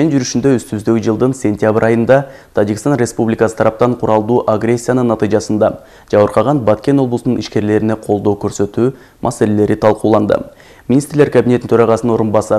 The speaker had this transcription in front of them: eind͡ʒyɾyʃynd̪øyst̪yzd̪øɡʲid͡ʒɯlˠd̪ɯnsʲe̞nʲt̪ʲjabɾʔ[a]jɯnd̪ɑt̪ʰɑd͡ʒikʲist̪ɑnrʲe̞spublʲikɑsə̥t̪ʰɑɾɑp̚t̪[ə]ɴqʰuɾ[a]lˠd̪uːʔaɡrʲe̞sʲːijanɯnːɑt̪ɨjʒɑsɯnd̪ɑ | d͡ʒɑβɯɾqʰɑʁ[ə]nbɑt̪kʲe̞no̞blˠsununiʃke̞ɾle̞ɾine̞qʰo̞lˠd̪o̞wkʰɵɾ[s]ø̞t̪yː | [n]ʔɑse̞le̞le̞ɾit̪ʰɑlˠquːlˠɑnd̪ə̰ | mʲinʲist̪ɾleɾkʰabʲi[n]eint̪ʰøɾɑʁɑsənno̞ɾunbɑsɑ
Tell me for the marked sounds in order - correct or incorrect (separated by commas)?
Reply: incorrect, incorrect, incorrect, incorrect, correct, incorrect, correct